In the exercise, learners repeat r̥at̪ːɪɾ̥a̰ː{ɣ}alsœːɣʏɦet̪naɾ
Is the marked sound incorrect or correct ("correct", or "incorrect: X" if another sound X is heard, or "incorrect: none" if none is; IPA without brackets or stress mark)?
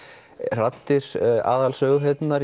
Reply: incorrect: ð